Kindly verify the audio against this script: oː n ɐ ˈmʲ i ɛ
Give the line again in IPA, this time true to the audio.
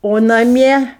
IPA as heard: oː n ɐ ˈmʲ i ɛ